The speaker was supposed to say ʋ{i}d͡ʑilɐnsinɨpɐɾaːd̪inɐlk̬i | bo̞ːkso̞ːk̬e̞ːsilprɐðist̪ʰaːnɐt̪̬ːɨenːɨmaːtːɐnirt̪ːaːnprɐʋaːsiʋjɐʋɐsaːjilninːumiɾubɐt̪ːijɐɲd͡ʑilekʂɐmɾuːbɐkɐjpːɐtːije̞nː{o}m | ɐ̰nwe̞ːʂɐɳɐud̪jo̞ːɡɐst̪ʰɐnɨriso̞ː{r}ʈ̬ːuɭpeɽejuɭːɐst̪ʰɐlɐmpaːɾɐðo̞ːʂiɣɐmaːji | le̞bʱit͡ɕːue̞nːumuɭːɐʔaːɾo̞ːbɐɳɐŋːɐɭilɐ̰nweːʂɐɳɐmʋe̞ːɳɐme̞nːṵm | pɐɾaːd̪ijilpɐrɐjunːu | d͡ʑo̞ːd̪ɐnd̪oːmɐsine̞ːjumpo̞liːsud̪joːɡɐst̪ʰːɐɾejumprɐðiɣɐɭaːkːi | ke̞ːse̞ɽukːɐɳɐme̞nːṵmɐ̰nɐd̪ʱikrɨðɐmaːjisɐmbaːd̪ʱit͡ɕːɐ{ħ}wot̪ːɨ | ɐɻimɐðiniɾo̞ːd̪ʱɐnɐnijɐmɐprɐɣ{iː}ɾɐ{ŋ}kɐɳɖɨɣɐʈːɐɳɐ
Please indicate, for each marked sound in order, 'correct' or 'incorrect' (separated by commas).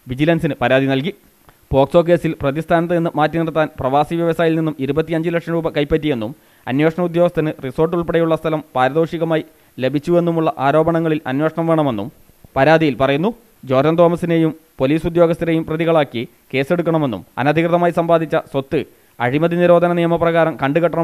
correct, incorrect, correct, incorrect, incorrect, incorrect